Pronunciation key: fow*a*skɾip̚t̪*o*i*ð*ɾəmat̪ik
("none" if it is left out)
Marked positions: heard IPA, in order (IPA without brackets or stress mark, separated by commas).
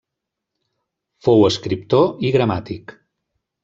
ə, o, ɣ